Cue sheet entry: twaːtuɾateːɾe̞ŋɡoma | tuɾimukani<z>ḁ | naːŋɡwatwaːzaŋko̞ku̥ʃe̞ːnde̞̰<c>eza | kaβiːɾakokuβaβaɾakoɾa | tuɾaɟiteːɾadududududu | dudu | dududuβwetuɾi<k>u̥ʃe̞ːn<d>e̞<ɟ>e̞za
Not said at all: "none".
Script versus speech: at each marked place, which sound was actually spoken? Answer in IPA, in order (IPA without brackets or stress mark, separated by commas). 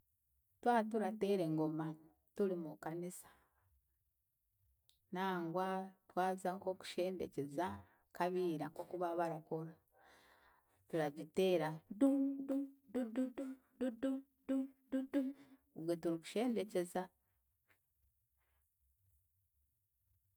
s, c, k, d, c